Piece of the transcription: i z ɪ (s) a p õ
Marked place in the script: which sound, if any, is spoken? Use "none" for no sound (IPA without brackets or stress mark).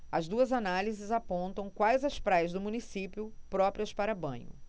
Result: z